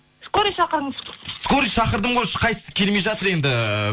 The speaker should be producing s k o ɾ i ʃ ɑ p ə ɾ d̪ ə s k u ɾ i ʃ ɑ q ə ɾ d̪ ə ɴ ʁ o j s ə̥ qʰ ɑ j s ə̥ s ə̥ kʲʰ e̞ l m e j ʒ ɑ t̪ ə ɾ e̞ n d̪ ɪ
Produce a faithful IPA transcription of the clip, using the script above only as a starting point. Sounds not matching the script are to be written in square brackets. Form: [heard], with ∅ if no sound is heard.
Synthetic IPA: s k o ɾ i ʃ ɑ [q] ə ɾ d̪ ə s k [o] ɾ i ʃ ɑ q ə ɾ d̪ ə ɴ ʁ o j [ʃ] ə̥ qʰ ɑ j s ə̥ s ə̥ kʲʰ e̞ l m e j ʒ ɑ t̪ ə ɾ e̞ n d̪ ɪ